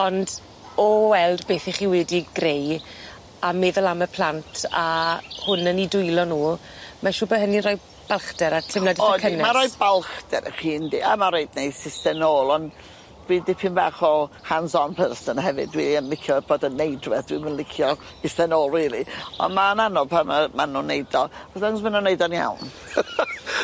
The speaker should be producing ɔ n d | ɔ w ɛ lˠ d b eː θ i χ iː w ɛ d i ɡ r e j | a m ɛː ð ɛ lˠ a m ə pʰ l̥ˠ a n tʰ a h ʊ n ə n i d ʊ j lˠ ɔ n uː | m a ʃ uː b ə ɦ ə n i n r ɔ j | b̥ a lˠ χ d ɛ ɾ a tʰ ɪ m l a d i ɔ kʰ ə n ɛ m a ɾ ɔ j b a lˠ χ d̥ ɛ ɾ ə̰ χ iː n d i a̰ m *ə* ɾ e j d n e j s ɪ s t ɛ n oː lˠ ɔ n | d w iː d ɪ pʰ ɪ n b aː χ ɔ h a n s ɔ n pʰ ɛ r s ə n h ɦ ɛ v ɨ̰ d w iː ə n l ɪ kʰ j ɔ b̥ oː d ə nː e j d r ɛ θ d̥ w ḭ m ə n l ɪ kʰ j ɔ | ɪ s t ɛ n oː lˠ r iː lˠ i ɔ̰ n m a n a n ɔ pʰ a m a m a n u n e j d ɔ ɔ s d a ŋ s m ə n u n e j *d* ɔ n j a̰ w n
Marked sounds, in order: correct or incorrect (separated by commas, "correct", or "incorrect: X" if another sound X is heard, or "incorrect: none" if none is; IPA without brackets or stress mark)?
incorrect: a, correct